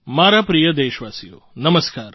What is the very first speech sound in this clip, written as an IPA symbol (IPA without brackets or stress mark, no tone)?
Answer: m